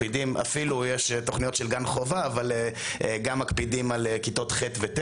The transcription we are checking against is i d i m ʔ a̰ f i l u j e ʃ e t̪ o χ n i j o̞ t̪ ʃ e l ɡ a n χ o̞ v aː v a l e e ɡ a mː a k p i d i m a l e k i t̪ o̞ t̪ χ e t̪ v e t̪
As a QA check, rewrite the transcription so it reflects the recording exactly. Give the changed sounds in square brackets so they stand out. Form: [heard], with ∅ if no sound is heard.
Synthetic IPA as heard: i d i m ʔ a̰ f i l u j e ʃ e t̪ o χ n i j o̞ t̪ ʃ e l ɡ a n χ o̞ v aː v a l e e ɡ a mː a k p i d i m a l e k i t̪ o̞ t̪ χ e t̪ v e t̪